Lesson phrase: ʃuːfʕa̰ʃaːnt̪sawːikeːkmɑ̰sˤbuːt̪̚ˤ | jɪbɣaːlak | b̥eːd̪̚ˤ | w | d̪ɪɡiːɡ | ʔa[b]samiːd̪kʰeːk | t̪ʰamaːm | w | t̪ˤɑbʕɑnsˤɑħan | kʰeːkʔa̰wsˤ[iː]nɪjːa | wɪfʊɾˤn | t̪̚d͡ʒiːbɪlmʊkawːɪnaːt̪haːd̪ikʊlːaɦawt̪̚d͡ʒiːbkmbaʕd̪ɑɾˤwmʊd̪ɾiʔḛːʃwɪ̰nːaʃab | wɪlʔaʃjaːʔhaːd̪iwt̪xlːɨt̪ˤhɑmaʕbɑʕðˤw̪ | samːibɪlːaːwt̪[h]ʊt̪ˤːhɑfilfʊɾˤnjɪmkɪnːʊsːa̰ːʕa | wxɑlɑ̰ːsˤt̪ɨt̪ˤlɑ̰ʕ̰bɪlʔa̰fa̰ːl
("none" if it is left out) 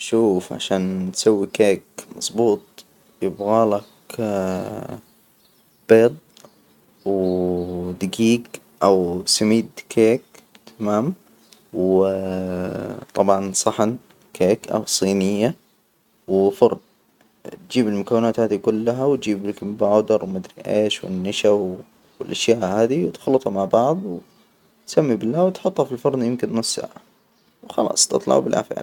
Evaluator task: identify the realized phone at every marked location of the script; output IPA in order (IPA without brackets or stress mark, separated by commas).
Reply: w, iː, ħ